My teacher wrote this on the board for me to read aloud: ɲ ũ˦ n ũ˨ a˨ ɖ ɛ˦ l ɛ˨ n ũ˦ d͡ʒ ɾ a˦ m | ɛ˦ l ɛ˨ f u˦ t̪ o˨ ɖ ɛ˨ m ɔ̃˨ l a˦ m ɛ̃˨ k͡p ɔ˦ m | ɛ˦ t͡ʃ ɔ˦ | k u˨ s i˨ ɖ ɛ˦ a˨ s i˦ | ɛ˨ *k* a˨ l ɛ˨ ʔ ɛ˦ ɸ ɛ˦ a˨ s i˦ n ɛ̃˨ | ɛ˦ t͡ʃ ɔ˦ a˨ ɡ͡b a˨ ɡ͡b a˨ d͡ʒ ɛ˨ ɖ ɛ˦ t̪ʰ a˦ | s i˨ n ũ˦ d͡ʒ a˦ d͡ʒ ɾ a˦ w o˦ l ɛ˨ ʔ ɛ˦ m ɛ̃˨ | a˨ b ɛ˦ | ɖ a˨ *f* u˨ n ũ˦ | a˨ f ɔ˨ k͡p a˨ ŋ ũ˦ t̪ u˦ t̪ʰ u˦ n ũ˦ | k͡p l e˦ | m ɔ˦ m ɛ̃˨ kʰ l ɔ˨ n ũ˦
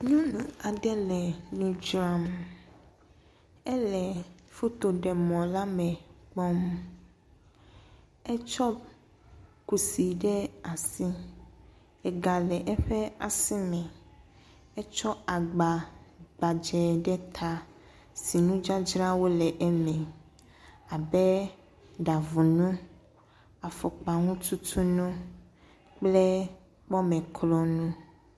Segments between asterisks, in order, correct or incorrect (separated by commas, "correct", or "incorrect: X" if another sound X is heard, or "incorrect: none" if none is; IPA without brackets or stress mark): incorrect: ɡ, incorrect: v